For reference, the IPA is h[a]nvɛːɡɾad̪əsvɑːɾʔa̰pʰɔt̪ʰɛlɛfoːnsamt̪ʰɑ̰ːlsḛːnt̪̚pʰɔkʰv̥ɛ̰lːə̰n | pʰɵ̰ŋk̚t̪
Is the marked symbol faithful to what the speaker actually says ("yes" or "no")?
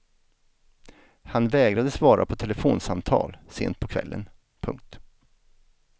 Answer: yes